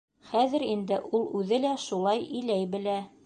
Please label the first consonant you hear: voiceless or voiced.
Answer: voiceless